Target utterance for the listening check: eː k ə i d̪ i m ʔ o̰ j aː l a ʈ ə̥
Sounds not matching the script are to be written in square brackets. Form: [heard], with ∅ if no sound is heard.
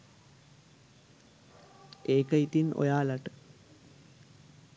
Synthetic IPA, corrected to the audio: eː k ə i [t̪] i [n] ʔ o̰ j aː l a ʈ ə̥